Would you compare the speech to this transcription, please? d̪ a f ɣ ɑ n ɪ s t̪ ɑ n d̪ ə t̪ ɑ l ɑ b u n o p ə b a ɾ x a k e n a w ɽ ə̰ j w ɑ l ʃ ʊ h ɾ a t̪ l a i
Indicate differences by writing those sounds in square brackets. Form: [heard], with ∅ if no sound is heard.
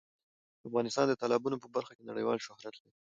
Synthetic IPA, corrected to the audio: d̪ a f ɣ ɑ n ɪ s t̪ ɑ n d̪ ə t̪ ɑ l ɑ b u n o p ə b a ɾ x a k e n a [∅] ɽ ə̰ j w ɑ l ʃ ʊ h ɾ a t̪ l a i